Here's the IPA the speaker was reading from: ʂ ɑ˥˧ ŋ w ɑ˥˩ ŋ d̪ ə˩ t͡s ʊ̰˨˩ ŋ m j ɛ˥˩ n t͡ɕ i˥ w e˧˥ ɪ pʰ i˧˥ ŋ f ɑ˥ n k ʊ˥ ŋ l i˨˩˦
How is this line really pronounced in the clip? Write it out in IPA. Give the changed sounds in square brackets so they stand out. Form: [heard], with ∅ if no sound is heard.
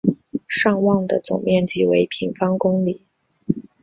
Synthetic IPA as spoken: ʂ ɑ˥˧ ŋ w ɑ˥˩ ŋ d̪ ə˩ t͡s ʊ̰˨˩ ŋ m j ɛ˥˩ n t͡ɕ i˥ w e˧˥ ɪ pʰ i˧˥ ŋ f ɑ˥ [ŋ] k ʊ˥ ŋ l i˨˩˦